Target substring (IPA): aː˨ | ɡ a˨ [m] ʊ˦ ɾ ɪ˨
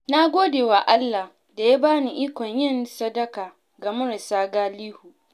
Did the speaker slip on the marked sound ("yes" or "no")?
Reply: no